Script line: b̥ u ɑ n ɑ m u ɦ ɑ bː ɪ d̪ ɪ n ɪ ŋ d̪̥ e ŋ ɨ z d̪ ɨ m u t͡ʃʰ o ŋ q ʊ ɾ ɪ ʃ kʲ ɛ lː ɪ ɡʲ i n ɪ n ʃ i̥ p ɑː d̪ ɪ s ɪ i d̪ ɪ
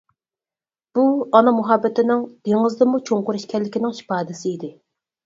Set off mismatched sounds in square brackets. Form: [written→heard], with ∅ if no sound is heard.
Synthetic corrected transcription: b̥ u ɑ n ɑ m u ɦ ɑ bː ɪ [d̪→t̪] ɪ n ɪ ŋ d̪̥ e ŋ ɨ z d̪ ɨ m u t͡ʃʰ o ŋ q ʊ ɾ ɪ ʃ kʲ ɛ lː ɪ [ɡʲ→kʲ] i n ɪ [n→ŋ] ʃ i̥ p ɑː d̪ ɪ s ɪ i d̪ ɪ